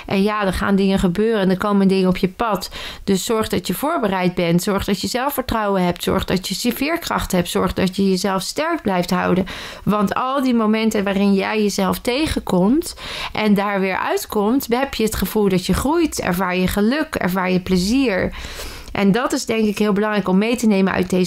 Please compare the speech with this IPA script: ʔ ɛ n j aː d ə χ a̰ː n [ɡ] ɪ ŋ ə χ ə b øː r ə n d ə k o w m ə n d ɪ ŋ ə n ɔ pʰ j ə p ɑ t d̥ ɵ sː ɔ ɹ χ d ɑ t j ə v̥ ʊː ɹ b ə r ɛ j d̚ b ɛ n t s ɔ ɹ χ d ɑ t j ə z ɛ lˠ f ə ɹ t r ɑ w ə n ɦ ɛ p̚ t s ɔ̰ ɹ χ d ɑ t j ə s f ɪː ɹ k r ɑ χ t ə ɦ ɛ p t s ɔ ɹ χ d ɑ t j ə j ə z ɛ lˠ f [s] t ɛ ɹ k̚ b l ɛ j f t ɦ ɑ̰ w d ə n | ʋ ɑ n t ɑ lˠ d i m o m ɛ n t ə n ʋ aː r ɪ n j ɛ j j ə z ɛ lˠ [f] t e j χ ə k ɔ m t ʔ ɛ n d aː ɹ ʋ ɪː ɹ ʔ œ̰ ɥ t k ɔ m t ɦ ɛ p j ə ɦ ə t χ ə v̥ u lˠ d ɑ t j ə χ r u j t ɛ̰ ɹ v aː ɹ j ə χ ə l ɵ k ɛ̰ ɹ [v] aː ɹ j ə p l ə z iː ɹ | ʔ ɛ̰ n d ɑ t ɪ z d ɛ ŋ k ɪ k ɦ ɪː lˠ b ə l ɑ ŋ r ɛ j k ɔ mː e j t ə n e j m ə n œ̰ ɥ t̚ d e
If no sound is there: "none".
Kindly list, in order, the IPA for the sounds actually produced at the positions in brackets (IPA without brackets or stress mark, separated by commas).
d, s, f, v